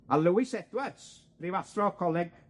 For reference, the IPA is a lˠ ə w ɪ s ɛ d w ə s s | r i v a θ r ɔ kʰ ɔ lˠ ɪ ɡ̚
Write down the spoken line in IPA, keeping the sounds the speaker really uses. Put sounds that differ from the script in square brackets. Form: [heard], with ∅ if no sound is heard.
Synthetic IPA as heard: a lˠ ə w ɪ s ɛ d w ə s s | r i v a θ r ɔ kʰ ɔ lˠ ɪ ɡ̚